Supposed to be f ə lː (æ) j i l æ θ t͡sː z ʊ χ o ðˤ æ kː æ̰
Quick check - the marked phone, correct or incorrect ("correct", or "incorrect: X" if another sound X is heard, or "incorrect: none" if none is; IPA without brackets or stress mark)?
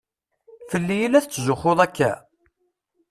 incorrect: i